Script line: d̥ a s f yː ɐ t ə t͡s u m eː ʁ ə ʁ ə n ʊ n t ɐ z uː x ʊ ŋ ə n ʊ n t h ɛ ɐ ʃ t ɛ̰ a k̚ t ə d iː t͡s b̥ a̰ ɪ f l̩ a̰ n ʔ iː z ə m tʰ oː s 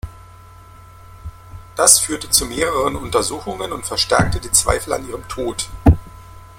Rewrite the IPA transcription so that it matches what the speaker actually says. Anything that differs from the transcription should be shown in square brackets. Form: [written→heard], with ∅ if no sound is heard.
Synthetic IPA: d̥ a s f yː ɐ t ə t͡s u m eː ʁ ə ʁ ə n ʊ n t ɐ z uː x ʊ ŋ ə n ʊ n t [h→f] ɛ ɐ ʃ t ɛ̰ [a→ɐ] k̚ t ə d iː t͡s [b̥→v̥] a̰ ɪ f l̩ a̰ n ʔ iː [z→ʁ] ə m tʰ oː [s→t]